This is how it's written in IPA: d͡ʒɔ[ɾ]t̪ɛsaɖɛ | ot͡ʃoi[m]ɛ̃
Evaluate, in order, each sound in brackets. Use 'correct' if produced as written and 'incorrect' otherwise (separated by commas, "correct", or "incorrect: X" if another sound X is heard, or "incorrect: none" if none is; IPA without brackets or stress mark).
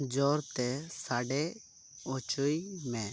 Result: correct, correct